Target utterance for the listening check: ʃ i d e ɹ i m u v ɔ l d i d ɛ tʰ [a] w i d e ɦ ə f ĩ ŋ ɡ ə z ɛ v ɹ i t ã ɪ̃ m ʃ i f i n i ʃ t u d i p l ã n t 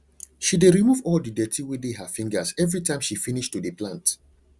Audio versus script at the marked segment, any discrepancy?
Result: yes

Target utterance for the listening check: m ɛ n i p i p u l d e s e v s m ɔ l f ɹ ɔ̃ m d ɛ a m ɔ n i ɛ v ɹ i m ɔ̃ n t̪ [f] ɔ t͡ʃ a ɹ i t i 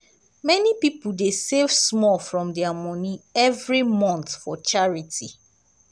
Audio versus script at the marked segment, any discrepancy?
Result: no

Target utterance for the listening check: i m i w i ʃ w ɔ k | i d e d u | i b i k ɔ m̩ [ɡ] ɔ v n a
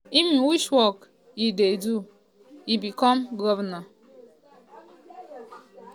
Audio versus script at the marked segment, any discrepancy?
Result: no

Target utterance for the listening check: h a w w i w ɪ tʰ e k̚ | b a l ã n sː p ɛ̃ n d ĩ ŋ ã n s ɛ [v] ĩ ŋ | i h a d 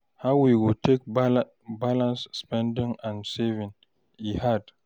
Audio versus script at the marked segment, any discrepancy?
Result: no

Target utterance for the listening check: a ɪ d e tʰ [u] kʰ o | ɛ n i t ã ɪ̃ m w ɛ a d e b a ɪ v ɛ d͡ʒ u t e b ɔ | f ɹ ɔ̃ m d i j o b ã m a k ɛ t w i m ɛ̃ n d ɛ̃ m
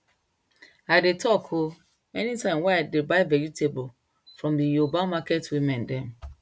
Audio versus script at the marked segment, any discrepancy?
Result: yes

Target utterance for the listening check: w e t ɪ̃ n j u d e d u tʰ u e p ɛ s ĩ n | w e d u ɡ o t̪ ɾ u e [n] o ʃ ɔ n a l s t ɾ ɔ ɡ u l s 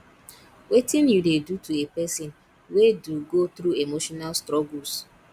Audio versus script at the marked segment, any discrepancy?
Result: yes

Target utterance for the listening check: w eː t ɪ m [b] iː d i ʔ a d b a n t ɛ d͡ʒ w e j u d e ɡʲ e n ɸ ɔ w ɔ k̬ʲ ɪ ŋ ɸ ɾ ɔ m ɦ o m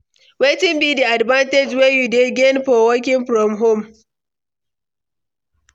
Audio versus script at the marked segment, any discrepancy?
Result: no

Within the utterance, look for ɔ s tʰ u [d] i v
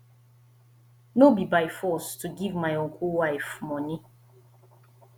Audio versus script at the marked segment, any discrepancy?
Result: yes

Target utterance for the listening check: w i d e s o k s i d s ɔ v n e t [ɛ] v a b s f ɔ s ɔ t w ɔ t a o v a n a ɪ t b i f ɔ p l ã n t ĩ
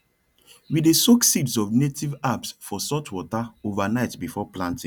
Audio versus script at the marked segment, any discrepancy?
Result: yes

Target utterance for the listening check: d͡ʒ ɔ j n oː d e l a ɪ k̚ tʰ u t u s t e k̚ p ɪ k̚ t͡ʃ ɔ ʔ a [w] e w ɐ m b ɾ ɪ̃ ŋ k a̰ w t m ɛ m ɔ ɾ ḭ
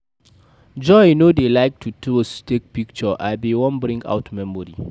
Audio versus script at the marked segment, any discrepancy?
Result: yes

